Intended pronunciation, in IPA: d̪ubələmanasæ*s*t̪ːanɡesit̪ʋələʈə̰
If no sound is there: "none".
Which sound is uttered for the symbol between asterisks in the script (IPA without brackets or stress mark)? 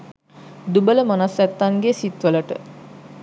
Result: none